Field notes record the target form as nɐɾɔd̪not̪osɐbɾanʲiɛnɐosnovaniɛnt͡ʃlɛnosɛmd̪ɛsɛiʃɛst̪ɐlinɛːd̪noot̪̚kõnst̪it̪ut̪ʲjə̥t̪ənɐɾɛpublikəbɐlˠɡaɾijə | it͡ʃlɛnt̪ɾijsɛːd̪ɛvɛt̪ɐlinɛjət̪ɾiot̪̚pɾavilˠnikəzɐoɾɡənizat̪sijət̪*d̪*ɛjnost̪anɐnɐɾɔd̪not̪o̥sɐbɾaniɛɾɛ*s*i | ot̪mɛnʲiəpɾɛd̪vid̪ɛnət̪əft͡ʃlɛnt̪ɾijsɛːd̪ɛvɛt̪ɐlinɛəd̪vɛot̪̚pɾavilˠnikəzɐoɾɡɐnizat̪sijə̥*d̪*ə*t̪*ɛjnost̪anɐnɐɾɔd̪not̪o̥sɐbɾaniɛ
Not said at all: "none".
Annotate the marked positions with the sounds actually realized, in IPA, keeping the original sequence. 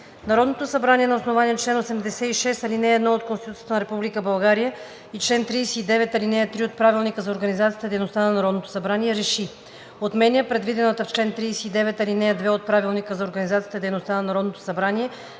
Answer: d̪, ʃ, t̪, d̪

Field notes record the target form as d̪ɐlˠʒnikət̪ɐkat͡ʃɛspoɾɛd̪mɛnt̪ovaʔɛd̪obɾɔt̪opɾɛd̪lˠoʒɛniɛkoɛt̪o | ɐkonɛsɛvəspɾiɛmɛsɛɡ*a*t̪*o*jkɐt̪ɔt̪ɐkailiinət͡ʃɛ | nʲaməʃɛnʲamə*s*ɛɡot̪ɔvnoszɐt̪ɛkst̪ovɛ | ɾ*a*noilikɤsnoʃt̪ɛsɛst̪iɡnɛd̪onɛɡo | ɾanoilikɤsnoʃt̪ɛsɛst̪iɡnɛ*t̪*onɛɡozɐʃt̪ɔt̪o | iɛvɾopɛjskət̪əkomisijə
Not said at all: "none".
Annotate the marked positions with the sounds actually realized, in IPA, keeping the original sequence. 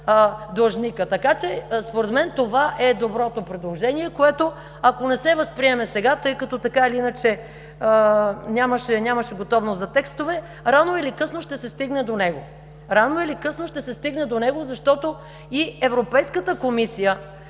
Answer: a, ɤ, ʃ, a, d̪

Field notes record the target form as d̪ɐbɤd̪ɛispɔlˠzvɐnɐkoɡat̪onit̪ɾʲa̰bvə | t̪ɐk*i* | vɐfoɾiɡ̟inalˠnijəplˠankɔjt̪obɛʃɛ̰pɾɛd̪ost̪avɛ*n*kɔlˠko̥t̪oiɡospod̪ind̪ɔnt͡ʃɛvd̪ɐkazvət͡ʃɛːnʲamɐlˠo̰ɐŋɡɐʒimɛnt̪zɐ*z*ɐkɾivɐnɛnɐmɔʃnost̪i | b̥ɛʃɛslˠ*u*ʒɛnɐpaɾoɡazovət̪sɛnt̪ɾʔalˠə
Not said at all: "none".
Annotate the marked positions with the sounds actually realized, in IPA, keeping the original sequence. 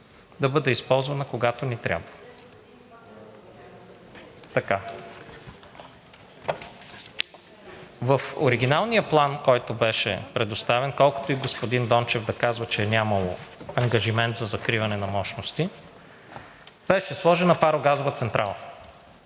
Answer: a, n, z, ɔ

